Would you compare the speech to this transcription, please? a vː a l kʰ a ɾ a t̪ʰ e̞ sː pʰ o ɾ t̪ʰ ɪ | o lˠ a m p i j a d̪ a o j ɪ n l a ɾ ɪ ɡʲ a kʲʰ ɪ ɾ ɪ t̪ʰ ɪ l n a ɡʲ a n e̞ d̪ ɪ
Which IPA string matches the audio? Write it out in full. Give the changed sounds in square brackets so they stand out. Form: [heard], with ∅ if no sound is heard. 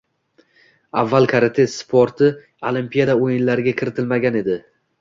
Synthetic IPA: a vː a l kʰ a ɾ a t̪ʰ e̞ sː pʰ o ɾ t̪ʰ ɪ | o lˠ [i] m p i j a d̪ a o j ɪ n l a ɾ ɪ ɡʲ a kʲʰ ɪ ɾ ɪ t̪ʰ ɪ l [m] a ɡʲ a n e̞ d̪ ɪ